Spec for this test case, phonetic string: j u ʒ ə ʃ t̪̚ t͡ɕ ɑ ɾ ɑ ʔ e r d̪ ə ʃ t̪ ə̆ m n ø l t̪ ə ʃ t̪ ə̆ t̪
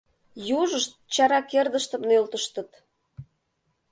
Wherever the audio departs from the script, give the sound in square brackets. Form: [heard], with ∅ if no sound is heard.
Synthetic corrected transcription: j u ʒ ə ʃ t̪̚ t͡ɕ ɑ ɾ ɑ [k] e r d̪ ə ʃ t̪ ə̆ m n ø l t̪ ə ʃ t̪ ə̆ t̪